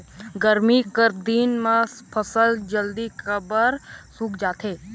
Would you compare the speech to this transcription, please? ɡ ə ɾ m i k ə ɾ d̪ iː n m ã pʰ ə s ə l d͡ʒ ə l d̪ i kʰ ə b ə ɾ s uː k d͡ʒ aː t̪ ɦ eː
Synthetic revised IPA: ɡ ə ɾ m i k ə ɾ d̪ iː n m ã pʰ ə s ə l d͡ʒ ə l d̪ i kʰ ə b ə ɾ s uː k d͡ʒ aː t̪ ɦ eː